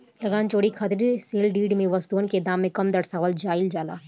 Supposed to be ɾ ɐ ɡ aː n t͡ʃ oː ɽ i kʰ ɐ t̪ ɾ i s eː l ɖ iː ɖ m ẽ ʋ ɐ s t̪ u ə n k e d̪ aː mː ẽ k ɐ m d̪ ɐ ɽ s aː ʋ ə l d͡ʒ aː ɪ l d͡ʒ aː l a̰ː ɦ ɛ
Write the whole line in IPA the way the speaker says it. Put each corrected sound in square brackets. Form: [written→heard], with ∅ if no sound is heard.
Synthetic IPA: [ɾ→l] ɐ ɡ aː n t͡ʃ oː ɽ i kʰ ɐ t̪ ɾ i s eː l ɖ iː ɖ m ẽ ʋ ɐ s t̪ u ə n k e d̪ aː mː ẽ k ɐ m d̪ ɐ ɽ s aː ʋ ə l d͡ʒ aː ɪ l d͡ʒ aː l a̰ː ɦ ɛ